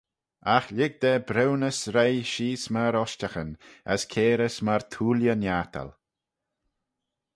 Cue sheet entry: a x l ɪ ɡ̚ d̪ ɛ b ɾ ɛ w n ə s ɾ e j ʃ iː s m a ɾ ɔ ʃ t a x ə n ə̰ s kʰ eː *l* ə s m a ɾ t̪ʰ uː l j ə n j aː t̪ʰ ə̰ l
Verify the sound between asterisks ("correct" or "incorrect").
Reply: incorrect